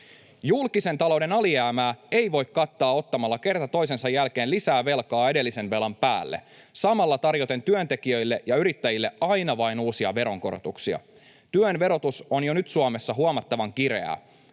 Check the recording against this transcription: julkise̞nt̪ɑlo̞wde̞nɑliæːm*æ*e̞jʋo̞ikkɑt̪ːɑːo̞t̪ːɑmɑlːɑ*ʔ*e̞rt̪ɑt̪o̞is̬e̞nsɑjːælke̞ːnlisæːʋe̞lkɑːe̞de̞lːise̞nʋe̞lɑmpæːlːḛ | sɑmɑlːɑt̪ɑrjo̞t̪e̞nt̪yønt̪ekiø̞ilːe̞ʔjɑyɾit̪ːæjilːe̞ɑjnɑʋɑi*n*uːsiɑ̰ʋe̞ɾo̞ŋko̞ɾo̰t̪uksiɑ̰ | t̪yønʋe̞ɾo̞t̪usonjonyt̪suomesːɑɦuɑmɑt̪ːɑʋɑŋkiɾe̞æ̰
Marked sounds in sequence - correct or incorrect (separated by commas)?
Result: incorrect, incorrect, correct